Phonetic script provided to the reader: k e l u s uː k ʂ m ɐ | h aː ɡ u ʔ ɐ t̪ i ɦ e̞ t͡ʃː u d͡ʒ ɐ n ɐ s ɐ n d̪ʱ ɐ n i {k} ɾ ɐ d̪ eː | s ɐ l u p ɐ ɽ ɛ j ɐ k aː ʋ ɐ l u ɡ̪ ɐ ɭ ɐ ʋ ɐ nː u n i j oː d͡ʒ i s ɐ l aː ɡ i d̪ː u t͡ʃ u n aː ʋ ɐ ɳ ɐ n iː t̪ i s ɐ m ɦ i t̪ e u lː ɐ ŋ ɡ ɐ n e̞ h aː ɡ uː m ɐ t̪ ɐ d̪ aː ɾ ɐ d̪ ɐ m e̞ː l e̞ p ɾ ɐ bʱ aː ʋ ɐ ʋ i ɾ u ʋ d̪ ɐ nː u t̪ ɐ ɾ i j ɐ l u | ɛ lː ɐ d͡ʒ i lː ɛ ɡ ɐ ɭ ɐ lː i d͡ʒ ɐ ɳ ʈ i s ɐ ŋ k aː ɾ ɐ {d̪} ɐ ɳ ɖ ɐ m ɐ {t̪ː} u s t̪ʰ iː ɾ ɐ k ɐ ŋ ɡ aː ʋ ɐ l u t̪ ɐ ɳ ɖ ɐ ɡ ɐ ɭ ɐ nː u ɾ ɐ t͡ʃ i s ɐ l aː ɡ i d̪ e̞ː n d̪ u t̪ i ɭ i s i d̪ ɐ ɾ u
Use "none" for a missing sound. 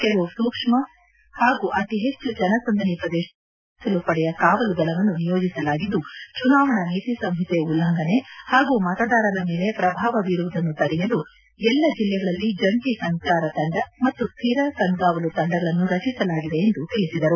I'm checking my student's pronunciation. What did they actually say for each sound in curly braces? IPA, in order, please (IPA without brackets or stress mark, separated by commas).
p, t̪, t̪ː